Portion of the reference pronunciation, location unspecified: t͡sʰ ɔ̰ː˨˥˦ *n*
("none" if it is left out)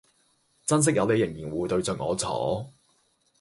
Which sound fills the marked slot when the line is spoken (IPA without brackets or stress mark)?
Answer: none